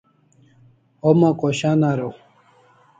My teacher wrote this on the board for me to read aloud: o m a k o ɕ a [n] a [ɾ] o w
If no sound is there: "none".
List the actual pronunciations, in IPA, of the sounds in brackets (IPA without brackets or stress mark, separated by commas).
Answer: n, ɾ